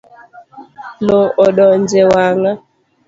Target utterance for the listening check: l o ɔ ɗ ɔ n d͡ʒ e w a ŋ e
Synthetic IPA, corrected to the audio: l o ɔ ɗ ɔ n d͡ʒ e w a ŋ a